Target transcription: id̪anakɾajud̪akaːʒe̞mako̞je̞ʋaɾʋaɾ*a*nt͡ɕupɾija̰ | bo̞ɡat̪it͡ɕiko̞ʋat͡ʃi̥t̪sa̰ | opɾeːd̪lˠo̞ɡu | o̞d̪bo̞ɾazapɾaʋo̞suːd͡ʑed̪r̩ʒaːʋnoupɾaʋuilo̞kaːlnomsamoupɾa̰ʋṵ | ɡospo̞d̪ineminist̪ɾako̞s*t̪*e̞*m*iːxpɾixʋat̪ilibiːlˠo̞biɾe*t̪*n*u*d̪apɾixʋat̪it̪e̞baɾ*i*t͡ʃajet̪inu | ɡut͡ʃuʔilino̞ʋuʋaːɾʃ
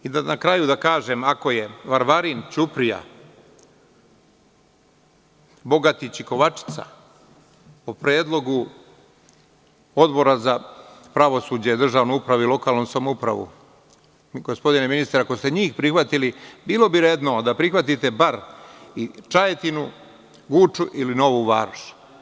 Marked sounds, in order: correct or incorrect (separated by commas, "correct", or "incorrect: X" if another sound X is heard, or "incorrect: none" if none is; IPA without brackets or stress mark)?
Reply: incorrect: i, correct, incorrect: ɲ, incorrect: d̪, incorrect: o, correct